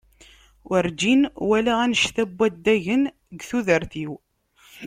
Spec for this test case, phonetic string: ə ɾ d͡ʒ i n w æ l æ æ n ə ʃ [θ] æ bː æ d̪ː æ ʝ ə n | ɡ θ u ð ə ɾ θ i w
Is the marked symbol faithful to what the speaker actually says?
yes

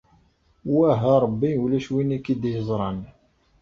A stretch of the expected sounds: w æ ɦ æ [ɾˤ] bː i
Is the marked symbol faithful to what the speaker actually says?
yes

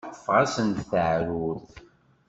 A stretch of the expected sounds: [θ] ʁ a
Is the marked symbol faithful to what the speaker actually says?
no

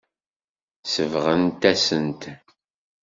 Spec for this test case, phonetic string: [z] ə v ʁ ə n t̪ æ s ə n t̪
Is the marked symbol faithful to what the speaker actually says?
no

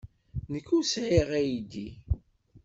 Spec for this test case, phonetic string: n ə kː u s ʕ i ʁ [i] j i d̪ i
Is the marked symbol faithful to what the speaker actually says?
no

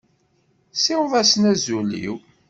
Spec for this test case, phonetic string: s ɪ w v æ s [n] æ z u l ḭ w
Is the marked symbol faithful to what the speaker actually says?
yes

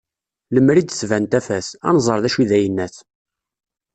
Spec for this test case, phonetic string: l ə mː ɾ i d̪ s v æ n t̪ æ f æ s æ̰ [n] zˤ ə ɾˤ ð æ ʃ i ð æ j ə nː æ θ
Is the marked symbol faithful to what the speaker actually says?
yes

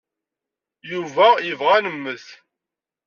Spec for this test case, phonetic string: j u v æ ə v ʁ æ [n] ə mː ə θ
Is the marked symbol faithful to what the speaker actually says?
yes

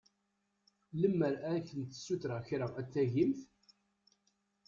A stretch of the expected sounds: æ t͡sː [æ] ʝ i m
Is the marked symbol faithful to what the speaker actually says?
yes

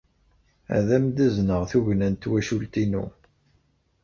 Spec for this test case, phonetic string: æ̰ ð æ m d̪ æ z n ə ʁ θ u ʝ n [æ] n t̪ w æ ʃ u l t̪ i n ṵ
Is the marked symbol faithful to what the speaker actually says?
yes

